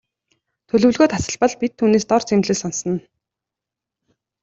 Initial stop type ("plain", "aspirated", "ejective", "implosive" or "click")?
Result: aspirated